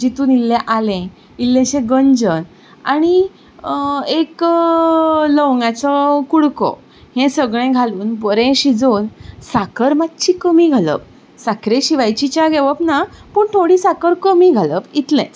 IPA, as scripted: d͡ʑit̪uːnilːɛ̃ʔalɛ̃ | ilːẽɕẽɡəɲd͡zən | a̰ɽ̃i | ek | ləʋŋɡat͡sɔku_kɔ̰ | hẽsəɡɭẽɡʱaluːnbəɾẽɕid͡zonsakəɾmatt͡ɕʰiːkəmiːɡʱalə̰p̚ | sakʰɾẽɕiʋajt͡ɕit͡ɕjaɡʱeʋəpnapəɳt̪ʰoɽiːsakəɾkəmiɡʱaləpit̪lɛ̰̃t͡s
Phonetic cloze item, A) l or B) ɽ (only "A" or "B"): B